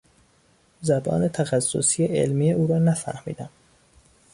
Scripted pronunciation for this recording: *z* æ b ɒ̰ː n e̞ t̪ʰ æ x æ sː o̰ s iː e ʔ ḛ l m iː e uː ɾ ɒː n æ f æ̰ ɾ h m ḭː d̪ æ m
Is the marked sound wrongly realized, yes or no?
no